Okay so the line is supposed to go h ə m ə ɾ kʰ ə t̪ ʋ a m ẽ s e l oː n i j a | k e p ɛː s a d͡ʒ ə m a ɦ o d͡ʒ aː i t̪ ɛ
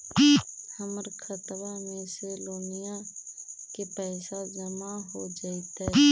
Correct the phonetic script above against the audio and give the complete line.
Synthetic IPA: h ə m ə ɾ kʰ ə t̪ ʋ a m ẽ s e l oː n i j a | k e p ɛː s a d͡ʒ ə m a ɦ o d͡ʒ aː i t̪ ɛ

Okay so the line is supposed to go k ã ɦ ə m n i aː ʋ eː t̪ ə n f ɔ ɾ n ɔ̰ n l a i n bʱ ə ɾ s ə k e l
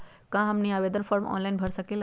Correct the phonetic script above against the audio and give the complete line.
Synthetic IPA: k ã ɦ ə m n i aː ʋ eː d̪ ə n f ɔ ɾ m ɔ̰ n l a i n bʱ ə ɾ s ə k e l

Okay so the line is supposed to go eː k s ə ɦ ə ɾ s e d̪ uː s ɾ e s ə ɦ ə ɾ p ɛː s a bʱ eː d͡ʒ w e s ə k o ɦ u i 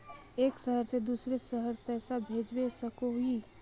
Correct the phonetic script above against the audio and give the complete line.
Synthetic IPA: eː k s ə ɦ ə ɾ s e d̪ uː s ɾ e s ə ɦ ə ɾ p ɛː s a bʱ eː d͡ʒ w e s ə k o ɦ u i

